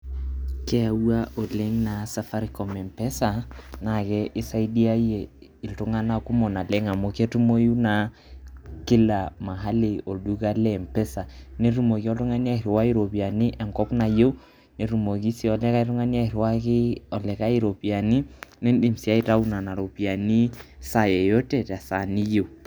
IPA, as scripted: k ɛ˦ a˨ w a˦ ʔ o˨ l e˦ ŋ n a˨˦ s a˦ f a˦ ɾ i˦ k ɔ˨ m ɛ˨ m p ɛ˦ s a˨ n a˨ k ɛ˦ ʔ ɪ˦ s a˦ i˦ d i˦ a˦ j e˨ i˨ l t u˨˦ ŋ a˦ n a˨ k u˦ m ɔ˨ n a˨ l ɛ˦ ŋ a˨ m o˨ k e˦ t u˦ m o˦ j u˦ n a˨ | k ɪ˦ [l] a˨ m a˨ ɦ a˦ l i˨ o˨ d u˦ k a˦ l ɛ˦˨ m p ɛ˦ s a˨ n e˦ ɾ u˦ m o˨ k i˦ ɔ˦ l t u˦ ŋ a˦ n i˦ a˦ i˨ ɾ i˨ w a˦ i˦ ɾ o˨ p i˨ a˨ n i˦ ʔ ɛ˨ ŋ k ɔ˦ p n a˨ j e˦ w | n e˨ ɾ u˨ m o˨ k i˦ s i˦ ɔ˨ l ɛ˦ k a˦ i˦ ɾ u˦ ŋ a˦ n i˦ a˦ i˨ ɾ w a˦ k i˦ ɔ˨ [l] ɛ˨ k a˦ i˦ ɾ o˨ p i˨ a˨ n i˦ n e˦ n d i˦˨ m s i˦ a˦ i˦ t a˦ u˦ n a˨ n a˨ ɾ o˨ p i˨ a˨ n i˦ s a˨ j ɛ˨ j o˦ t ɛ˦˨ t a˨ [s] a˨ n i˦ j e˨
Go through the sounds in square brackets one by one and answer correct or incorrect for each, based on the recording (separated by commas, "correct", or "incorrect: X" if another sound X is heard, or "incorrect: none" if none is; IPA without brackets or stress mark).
correct, correct, correct